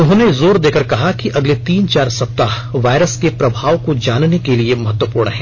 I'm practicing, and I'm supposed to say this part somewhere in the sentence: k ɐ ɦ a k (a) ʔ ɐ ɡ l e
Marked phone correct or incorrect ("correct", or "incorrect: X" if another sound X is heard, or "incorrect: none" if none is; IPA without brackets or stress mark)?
incorrect: i